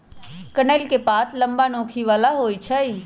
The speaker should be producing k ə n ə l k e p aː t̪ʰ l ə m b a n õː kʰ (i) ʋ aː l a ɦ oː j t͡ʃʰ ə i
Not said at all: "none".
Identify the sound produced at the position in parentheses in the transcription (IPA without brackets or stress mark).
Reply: i